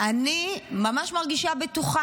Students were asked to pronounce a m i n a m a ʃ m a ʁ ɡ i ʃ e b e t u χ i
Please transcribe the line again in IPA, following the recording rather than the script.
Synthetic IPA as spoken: a n i m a m a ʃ m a ʁ ɡ i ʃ a b e t u χ a

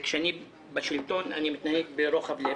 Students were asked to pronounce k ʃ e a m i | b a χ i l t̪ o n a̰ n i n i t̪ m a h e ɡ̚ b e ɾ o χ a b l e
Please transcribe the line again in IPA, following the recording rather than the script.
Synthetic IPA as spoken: k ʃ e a n i | b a ʃ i l t̪ o n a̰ n i m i t̪ n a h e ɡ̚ b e ɾ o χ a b l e

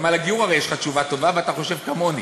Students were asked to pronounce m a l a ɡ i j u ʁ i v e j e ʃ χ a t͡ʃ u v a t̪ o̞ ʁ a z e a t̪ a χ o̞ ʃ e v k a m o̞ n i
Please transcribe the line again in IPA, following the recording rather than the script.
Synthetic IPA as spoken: m a l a ɡ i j u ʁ a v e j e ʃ χ a t͡ʃ u v a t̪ o̞ v a v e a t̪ a χ o̞ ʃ e v k a m o̞ n i

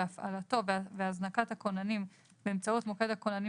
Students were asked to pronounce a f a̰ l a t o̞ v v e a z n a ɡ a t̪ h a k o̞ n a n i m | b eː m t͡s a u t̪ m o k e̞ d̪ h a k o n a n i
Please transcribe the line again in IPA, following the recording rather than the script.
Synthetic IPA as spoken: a f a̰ l a t o̞ v v e a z n a k a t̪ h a k o̞ n a n i m | b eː m t͡s a u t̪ m o k e̞ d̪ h a k o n a n i

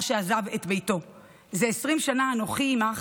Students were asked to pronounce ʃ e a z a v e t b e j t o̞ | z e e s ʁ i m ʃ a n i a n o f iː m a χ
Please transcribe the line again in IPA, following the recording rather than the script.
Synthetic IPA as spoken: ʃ e a z a v e t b e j t o̞ | z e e s ʁ i m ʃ a n a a n o χ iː m a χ

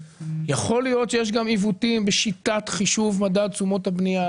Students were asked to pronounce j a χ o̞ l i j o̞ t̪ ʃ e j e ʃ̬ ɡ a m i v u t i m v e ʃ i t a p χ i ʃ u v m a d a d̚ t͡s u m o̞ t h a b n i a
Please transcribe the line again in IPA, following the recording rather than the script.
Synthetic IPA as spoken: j a χ o̞ l i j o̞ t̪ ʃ e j e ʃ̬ ɡ a m i v u t i m b e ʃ i t a t χ i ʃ u v m a d a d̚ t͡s u m o̞ t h a b n i a

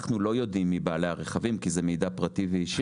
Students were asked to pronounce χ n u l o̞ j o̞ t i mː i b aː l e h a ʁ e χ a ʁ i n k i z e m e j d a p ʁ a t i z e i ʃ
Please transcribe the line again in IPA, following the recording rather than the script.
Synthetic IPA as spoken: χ n u l o̞ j o̞ d i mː i b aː l e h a ʁ e χ a v i m k i z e m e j d a p ʁ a t i v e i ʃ

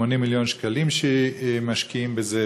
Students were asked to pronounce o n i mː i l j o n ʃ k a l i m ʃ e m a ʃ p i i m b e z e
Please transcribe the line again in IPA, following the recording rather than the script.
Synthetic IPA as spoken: o n i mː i l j o n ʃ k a l i m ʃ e m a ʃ k i i m b e z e

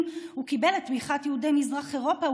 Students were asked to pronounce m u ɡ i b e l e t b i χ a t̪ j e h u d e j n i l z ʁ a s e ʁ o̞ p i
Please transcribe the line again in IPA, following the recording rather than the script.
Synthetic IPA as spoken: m u k i b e l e t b i χ a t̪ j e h u d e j m i z ʁ a χ e ʁ o̞ p a

